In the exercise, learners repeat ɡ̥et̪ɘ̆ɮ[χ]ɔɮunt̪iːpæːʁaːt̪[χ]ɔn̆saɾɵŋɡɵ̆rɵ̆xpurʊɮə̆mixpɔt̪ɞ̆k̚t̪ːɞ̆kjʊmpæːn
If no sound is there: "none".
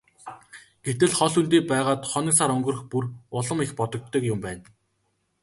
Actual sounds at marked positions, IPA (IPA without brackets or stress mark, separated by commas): χ, χ